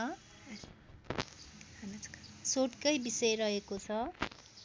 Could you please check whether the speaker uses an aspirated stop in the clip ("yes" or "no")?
yes